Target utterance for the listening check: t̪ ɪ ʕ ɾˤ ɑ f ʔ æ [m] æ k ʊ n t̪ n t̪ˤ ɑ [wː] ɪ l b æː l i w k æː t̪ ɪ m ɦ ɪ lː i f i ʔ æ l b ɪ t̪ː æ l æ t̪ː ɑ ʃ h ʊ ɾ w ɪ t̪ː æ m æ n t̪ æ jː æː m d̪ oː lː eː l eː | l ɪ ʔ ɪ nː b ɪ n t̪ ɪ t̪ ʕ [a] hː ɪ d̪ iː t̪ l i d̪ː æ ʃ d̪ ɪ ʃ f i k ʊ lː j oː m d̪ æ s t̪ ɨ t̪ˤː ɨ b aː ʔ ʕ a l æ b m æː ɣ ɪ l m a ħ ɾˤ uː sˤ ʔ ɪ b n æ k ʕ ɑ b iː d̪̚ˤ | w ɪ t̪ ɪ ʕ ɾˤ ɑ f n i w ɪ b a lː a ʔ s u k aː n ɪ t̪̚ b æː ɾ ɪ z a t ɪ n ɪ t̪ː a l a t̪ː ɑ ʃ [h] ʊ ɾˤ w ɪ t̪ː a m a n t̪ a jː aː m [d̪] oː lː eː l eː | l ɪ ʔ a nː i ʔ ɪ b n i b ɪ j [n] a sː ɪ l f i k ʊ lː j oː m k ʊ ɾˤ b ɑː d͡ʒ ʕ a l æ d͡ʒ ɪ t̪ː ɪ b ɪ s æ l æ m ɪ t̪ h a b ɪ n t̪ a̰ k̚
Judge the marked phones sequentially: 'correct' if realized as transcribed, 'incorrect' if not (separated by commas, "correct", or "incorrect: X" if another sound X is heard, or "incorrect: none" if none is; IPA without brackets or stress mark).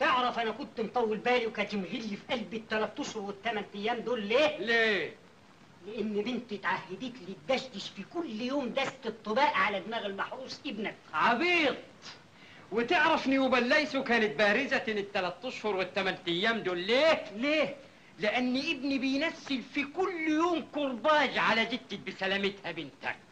incorrect: n, correct, correct, correct, correct, correct